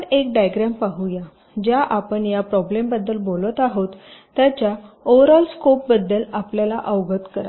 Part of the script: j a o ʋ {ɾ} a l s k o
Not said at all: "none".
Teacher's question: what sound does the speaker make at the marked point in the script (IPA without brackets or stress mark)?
ɾ